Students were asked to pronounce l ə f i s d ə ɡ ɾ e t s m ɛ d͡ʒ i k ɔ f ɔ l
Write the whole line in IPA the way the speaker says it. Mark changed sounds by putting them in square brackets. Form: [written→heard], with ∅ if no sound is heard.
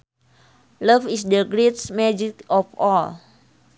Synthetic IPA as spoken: l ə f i s d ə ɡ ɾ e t s m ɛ d͡ʒ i k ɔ f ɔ l